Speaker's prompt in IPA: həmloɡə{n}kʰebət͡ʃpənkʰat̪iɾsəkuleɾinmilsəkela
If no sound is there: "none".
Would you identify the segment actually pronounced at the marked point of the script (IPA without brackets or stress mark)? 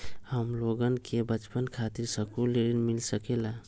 n